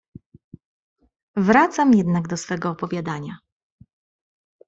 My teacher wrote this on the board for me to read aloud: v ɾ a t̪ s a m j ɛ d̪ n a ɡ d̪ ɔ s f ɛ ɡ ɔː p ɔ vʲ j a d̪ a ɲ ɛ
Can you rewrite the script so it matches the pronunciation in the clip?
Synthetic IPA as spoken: v ɾ a t̪ s a m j ɛ d̪ n a ɡ d̪ ɔ s f ɛ ɡ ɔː p ɔ vʲ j a d̪ a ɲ a